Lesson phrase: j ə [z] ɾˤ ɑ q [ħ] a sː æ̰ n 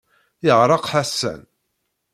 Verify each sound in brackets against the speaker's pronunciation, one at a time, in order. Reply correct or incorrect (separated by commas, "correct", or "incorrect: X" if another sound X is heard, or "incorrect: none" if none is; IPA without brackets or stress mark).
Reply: incorrect: ʁ, correct